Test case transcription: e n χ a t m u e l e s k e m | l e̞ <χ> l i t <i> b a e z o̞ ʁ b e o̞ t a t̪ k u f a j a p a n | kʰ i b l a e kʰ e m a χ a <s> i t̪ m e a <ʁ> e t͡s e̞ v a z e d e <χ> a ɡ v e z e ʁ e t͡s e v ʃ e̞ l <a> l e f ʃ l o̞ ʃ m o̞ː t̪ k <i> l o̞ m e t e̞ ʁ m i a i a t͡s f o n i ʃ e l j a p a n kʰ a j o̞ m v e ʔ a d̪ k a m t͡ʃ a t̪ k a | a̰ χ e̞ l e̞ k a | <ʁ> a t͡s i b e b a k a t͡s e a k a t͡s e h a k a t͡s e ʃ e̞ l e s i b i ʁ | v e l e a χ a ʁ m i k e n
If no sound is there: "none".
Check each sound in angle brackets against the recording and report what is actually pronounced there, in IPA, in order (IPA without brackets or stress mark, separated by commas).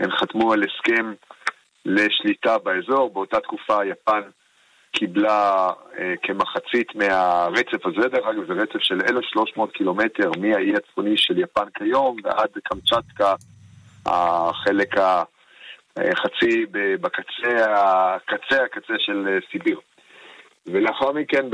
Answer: ʃ, a, t͡s, ʁ, ʁ, e, i, χ